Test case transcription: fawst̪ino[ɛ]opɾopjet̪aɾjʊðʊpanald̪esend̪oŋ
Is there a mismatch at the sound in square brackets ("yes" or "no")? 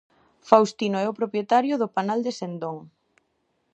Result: no